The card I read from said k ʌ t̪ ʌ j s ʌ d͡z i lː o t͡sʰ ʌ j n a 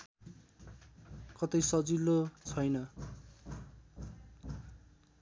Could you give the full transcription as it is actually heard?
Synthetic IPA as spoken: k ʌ t̪ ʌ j s ʌ d͡z i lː o t͡sʰ ʌ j n ʌ